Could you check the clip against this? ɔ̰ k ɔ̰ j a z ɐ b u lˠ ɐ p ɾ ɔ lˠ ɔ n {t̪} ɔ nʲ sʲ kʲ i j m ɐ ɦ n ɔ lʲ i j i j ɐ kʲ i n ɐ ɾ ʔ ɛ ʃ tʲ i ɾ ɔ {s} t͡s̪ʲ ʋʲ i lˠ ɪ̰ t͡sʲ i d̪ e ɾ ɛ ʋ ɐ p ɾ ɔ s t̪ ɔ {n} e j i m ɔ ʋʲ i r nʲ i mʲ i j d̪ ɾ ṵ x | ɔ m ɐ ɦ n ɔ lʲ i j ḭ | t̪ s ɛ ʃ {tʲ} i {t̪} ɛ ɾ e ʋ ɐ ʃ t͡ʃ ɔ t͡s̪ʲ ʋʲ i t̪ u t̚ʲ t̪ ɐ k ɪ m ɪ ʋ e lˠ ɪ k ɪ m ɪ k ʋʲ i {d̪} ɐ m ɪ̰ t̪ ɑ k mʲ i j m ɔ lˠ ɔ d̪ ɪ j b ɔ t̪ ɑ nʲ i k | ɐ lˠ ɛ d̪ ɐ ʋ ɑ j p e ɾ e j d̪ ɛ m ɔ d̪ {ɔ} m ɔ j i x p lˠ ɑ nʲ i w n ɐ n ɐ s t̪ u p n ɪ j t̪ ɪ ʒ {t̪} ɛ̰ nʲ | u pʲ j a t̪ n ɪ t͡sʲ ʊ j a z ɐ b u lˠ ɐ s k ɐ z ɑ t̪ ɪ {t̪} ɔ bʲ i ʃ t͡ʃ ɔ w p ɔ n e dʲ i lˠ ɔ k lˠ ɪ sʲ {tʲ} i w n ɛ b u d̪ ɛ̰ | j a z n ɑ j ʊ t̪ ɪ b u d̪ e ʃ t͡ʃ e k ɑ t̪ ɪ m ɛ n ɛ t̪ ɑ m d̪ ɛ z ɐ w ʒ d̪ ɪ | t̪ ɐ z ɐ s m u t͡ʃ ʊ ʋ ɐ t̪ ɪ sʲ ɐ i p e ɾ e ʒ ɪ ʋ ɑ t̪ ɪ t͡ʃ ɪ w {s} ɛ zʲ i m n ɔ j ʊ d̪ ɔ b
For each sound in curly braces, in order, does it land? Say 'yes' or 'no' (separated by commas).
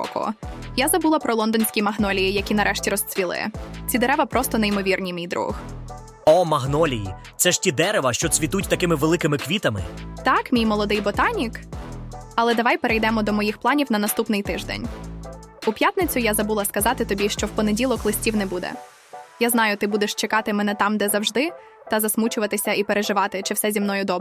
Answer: no, yes, yes, yes, no, no, yes, no, yes, yes, yes